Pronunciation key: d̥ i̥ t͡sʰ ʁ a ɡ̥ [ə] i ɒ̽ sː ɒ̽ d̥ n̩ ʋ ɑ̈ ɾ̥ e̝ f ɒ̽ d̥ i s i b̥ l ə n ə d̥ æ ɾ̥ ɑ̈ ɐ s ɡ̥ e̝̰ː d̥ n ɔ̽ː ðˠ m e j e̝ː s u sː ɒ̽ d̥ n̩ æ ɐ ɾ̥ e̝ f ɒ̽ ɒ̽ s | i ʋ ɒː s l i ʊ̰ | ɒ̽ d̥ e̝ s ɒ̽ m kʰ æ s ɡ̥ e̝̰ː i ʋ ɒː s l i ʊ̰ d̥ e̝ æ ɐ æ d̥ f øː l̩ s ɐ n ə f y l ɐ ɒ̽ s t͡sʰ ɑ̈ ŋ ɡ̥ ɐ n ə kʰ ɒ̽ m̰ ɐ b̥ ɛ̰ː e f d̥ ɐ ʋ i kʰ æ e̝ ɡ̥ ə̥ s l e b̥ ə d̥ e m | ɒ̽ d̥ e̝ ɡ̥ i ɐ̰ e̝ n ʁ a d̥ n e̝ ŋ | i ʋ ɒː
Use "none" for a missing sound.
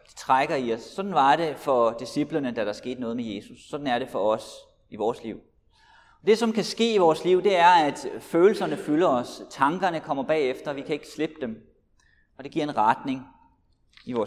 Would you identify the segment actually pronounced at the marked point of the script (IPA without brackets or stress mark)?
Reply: ɐ